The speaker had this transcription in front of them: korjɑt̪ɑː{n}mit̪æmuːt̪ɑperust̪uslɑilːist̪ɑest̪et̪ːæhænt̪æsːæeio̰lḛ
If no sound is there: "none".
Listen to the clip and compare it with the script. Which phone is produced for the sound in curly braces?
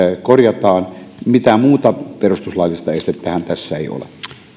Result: n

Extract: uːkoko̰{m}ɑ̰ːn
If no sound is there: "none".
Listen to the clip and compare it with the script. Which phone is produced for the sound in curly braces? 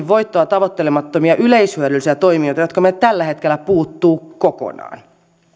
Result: n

